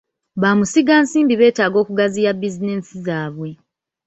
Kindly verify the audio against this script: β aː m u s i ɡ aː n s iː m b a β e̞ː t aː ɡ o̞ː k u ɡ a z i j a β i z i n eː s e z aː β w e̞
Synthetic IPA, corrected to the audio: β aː m u s i ɡ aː n s iː m b i β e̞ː t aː ɡ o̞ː k u ɡ a z i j a b i z i n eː s i z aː β w e̞